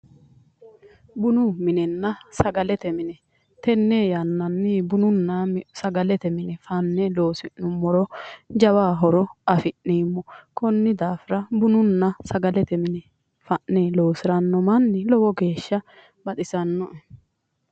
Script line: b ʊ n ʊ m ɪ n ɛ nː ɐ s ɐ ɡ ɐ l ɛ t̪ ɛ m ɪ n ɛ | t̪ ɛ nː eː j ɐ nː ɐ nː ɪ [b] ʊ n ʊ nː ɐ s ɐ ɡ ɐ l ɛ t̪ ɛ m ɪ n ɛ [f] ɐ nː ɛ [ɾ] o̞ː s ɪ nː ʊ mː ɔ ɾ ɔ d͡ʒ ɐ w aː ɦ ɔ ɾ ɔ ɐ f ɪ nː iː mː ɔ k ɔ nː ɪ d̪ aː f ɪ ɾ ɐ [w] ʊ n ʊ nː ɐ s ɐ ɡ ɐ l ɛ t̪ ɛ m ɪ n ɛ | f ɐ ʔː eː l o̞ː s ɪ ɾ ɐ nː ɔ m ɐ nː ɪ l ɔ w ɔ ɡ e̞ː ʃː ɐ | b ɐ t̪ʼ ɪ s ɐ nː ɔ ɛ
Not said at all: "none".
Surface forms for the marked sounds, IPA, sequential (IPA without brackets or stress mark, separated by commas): b, f, l, b